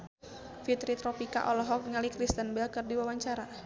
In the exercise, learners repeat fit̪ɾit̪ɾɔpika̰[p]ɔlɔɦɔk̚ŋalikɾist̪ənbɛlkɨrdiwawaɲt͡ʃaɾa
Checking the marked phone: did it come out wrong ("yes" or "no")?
yes